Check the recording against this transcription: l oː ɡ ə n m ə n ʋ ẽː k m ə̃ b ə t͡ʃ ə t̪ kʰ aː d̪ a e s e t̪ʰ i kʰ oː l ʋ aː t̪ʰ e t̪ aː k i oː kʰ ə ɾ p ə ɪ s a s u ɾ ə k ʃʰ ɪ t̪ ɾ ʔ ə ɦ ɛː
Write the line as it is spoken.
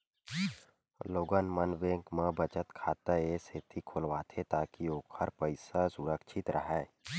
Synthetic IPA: l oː ɡ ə n m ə n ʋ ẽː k m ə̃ b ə t͡ʃ ə t̪ kʰ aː t̪ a e s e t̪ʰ i kʰ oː l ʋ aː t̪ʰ e t̪ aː k i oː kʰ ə ɾ p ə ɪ s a s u ɾ ə k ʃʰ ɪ t̪ ɾ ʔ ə ɦ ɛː